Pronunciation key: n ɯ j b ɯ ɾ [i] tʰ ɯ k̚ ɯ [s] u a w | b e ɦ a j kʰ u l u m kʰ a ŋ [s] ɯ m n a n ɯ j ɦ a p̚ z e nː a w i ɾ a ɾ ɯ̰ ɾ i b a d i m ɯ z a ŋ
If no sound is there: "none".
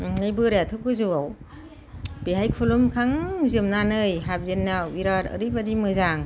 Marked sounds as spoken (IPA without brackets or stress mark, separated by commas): a, z, z